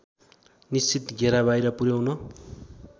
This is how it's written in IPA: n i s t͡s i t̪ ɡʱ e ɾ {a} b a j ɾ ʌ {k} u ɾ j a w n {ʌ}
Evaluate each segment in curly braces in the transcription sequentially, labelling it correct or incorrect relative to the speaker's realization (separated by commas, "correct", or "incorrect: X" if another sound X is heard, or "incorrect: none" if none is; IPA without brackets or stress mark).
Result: correct, incorrect: p, correct